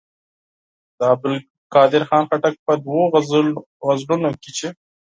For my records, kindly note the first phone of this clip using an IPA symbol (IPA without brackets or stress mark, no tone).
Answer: d̪